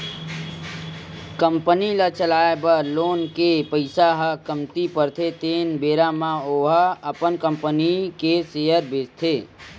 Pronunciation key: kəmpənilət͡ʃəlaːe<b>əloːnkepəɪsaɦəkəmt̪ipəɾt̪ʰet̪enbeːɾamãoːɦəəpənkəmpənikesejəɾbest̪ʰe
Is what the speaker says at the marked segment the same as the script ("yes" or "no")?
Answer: yes